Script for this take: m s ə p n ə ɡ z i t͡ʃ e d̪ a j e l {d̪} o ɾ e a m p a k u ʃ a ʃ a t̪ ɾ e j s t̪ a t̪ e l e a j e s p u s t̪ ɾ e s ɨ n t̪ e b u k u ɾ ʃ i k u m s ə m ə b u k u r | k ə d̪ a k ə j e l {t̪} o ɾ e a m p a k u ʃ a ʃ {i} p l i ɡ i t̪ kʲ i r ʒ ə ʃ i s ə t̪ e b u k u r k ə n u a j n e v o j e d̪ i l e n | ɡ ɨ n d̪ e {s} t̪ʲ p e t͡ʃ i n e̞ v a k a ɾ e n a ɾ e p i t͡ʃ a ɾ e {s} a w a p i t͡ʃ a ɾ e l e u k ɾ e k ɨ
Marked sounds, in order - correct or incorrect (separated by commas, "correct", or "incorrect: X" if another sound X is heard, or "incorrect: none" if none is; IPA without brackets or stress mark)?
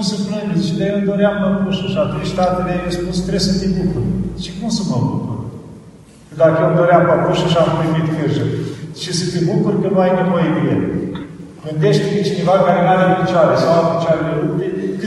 correct, incorrect: d̪, incorrect: a, incorrect: ʃ, correct